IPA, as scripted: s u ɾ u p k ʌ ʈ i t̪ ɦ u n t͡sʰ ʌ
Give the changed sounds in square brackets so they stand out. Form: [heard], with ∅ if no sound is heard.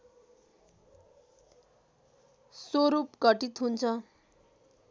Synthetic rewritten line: s [o] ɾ u p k ʌ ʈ i t̪ ɦ u n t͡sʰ ʌ